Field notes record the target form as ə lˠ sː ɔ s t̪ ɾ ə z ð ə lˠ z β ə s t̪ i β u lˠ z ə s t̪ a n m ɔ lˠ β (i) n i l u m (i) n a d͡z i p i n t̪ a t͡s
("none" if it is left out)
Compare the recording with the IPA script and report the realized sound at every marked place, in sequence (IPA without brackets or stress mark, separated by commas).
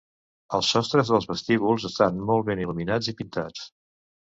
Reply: e, i